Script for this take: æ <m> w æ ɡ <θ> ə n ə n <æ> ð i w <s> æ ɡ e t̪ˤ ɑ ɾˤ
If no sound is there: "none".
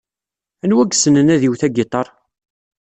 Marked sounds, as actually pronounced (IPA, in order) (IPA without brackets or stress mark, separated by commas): n, s, æ, θ